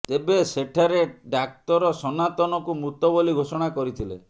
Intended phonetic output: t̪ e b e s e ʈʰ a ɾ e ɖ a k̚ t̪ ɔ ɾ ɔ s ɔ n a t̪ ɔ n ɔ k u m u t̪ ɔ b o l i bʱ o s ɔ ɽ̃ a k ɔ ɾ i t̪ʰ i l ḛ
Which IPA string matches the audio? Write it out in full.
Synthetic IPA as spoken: t̪ e b e s e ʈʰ a ɾ e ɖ a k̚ t̪ ɔ ɾ ɔ s ɔ n a t̪ ɔ n ɔ k u m u t̪ ɔ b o l i ɡʱ o s ɔ ɽ̃ a k ɔ ɾ i t̪ʰ i l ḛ